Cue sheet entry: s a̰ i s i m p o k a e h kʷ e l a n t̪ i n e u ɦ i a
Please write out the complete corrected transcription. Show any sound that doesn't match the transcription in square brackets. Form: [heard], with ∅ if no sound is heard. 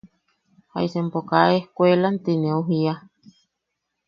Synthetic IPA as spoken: [h] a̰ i s [e] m p o k a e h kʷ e l a n t̪ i n e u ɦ i a